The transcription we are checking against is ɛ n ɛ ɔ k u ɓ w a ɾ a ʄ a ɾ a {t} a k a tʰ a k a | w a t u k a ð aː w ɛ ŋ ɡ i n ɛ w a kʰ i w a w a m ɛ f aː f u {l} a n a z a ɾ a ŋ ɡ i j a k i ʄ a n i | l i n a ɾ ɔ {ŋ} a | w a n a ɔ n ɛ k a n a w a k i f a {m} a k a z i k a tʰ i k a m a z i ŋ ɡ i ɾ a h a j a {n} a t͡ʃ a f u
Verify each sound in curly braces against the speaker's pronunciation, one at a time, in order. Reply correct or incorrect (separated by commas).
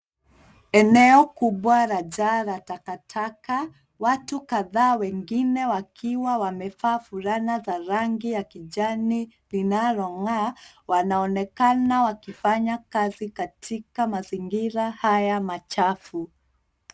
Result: correct, incorrect, correct, incorrect, incorrect